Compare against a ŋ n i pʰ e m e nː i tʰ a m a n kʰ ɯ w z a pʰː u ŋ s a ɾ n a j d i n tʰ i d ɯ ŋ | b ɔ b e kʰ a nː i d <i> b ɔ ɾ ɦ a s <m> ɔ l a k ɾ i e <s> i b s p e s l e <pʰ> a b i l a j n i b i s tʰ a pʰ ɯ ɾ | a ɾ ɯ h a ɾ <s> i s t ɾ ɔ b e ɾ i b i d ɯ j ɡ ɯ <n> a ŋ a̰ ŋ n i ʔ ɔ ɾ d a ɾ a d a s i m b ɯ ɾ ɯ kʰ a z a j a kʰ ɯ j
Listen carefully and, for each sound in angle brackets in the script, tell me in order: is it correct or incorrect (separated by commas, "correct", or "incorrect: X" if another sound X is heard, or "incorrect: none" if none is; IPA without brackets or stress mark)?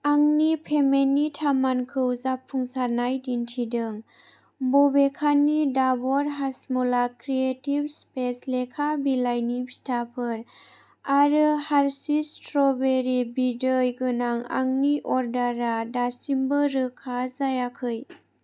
incorrect: a, correct, incorrect: t, incorrect: kʰ, correct, correct